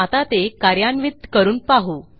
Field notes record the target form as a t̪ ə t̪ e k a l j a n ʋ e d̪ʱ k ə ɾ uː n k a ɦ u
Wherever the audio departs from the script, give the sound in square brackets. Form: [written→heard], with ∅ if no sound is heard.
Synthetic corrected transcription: a t̪ [ə→a] t̪ e k a [l→ɾ] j a n ʋ [e→i] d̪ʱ k ə ɾ uː n [k→p] a ɦ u